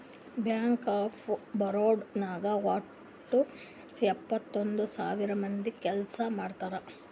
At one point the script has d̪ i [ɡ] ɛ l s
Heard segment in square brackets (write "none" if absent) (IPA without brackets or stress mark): k